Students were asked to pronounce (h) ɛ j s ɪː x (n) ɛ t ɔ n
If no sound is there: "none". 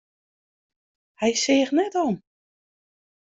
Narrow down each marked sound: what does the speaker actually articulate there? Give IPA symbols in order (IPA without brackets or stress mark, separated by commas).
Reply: h, n